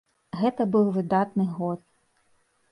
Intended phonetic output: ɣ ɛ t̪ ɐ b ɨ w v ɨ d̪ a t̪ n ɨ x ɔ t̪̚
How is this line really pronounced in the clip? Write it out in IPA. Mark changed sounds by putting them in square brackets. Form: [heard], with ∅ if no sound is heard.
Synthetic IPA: ɣ ɛ t̪ ɐ b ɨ w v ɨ d̪ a t̪ n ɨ [ɣ] ɔ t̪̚